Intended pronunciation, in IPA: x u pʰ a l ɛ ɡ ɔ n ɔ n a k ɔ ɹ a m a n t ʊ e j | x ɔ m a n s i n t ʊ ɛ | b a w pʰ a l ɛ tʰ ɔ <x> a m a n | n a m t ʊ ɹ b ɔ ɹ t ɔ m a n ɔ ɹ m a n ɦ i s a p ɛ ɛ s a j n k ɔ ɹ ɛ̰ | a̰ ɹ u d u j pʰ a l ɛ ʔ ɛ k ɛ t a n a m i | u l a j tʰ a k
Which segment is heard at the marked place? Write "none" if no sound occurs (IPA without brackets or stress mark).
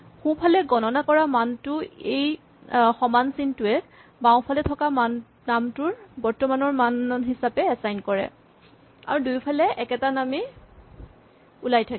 k